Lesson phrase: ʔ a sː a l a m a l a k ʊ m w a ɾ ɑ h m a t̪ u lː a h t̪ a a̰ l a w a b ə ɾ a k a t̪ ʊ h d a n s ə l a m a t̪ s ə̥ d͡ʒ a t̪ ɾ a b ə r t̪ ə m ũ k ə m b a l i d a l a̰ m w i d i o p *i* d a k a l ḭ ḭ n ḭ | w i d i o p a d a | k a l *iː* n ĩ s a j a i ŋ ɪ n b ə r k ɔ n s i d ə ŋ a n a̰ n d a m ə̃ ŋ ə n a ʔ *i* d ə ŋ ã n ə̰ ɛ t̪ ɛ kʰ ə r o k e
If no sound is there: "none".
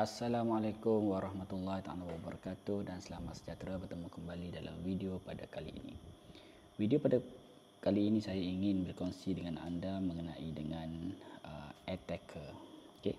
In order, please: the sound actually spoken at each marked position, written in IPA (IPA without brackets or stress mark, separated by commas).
a, iː, i